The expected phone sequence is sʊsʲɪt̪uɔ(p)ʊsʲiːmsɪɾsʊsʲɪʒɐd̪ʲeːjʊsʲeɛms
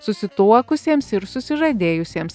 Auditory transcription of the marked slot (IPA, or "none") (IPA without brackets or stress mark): k